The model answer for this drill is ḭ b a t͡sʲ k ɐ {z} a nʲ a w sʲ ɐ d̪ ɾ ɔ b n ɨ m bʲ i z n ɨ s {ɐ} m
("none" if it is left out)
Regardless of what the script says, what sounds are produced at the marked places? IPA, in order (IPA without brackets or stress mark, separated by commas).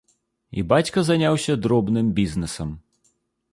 z, ɐ